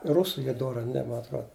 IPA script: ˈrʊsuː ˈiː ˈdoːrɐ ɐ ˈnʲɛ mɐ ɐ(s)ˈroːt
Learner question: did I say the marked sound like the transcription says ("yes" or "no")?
no